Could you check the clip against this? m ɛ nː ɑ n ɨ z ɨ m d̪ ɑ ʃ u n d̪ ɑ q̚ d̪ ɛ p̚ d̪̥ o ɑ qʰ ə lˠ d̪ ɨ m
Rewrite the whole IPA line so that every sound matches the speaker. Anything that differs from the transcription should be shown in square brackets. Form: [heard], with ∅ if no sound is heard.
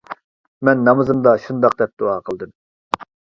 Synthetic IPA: m ɛ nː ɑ [m] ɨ z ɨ m d̪ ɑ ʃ u n d̪ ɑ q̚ d̪ ɛ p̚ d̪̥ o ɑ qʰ ə lˠ d̪ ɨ m